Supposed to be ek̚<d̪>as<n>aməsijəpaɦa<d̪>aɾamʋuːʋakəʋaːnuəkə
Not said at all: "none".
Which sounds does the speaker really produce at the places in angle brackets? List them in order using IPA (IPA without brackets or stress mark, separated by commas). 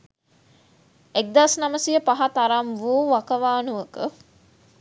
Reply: d̪, n, t̪